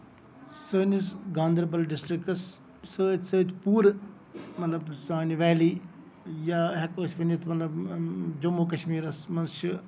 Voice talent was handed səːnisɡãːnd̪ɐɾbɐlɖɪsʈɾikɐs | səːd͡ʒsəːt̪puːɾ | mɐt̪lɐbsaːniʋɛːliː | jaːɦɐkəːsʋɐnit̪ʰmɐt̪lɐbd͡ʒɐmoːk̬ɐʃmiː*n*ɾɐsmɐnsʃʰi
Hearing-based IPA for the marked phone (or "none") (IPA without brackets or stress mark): none